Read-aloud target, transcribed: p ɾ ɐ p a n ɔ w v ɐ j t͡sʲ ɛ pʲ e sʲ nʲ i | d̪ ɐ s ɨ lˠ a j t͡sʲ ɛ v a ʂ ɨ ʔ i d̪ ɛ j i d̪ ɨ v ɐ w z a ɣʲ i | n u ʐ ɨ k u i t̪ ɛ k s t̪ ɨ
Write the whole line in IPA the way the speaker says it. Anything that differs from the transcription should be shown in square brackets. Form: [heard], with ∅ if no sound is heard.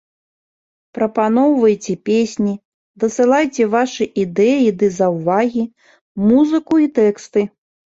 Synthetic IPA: p ɾ ɐ p a n ɔ w v ɐ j t͡sʲ ɛ pʲ e sʲ nʲ i | d̪ ɐ s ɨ lˠ a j t͡sʲ ɛ v a ʂ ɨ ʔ i d̪ ɛ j i d̪ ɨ [z] ɐ w [v] a ɣʲ i | [m] u [z] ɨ k u i t̪ ɛ k s t̪ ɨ